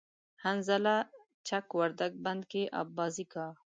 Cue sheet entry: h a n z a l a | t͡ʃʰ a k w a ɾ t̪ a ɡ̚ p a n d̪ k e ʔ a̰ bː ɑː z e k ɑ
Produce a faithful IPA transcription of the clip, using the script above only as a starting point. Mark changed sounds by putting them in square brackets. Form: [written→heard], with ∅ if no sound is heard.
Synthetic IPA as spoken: h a n z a l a | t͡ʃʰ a k w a ɾ [t̪→d̪] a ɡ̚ [p→b] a n d̪ k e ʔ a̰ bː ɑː z [e→i] k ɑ